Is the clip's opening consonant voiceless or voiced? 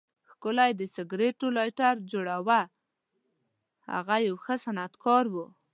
voiceless